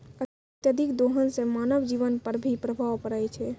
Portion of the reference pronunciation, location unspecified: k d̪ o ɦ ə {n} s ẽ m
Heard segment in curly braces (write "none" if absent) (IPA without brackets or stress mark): n